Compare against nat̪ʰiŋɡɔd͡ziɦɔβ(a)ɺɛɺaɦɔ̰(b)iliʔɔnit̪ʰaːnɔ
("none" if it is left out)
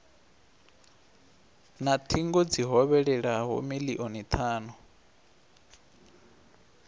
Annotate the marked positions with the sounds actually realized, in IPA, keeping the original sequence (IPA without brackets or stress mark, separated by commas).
ɛ, m